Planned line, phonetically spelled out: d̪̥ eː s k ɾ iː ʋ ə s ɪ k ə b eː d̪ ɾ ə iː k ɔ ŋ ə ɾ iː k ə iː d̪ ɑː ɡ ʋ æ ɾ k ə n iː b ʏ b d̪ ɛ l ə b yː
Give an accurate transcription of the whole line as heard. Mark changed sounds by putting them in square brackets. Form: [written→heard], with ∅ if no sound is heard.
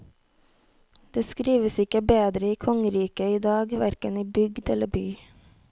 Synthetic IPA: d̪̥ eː s k ɾ iː ʋ ə s ɪ k ə b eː d̪ ɾ ə iː [k→kʰ] ɔ ŋ ə ɾ iː k ə iː d̪ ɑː ɡ ʋ æ ɾ k ə n iː b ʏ [b→ɡ] d̪ ɛ l ə b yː